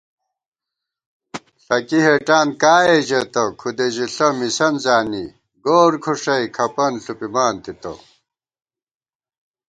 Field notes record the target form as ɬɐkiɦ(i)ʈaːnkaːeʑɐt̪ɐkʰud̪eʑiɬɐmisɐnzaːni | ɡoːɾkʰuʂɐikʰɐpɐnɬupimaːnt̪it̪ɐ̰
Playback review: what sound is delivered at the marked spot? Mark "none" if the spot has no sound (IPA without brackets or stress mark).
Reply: e